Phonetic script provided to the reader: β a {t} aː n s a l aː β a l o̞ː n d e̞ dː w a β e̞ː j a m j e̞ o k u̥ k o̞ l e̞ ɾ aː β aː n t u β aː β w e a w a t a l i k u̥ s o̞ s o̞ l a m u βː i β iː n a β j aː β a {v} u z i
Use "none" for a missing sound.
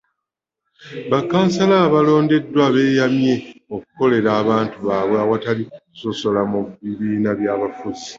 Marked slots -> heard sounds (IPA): k, f

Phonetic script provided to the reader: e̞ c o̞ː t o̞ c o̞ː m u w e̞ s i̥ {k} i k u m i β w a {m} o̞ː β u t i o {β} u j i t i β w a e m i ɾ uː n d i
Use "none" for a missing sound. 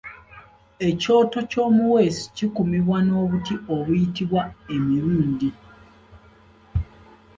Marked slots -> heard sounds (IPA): c, n, β

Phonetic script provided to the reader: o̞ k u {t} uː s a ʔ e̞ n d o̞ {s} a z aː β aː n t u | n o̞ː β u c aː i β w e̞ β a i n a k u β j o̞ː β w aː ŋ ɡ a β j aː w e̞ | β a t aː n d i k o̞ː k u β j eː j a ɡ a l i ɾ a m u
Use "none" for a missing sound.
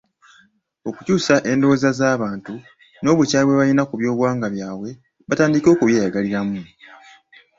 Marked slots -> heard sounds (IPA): c, z

